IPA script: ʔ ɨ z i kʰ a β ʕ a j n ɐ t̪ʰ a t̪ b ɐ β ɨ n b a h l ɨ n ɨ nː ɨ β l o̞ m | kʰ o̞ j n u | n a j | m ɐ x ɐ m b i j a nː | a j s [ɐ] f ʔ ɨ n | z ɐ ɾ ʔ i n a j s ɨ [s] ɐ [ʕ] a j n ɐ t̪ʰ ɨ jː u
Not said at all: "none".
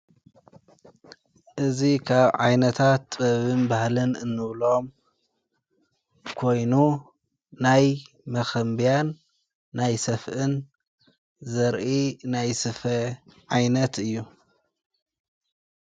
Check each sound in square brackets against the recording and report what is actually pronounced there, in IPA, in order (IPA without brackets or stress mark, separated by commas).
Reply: ɐ, f, ʕ